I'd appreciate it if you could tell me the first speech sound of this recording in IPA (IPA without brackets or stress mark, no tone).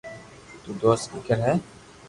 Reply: t̪